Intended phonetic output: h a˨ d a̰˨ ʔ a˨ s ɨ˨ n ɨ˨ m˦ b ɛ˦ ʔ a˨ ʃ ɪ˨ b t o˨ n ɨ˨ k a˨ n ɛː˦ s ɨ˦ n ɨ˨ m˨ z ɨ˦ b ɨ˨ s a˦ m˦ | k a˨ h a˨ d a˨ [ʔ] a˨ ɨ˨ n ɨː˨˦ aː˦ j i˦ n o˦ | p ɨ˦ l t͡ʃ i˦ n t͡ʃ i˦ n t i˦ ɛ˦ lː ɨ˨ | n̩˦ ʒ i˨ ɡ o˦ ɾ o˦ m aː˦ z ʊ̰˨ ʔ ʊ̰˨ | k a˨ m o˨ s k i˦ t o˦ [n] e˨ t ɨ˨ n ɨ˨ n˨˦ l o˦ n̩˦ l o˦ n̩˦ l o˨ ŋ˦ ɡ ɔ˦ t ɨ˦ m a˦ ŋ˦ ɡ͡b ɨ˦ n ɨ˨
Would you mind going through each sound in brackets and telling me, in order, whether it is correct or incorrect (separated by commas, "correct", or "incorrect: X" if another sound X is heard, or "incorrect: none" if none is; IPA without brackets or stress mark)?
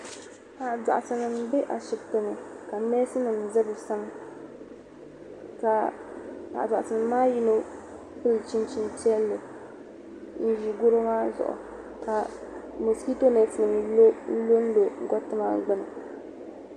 correct, correct